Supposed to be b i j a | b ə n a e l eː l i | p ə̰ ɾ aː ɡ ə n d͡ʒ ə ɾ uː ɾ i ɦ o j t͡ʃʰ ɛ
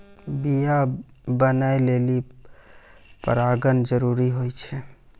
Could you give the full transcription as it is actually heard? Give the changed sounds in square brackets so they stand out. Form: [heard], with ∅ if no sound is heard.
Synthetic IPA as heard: b i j a | b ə n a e l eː l i | p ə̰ ɾ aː ɡ ə n d͡ʒ ə ɾ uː ɾ i ɦ o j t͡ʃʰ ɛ